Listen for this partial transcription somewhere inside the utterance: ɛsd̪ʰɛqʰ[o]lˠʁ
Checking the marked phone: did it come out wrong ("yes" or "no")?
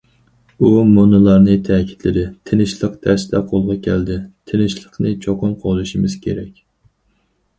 no